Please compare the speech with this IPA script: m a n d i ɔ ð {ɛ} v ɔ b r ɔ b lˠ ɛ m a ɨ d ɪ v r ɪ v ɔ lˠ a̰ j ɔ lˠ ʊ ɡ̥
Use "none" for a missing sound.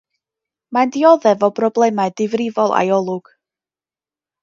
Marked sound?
ɛ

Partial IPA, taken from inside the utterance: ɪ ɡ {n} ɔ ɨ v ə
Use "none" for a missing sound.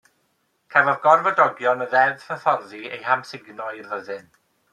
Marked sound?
n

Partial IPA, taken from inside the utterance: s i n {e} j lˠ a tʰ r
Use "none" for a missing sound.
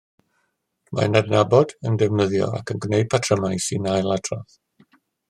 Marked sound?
a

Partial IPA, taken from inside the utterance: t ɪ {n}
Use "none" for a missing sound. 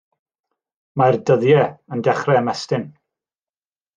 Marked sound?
n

